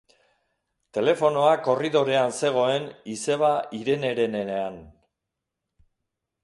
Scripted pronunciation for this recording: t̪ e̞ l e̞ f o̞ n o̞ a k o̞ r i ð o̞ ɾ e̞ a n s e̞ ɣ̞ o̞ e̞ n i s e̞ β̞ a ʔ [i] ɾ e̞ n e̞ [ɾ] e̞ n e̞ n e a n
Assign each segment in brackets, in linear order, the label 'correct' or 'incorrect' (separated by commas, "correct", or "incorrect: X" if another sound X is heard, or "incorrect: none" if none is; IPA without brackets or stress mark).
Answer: correct, correct